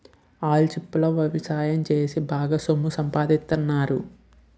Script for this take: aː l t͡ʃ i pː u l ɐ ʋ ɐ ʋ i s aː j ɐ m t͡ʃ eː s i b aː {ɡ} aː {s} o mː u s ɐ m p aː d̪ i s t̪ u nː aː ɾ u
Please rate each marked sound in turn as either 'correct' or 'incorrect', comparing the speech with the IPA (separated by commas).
correct, correct